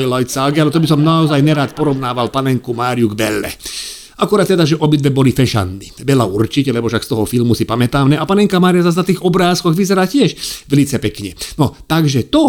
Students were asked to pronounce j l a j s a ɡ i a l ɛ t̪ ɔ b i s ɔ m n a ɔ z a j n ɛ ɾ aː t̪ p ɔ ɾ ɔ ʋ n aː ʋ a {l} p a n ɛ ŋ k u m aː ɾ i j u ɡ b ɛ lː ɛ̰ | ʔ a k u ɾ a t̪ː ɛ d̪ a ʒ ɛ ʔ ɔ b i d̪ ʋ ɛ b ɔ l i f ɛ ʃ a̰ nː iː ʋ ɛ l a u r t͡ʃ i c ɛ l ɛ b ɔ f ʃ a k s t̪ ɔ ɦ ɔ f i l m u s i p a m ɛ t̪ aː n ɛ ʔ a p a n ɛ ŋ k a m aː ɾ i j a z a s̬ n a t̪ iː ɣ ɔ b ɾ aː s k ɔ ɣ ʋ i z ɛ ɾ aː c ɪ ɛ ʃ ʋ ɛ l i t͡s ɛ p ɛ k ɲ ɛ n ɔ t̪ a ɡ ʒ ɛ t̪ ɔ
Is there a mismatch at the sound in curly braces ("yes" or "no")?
no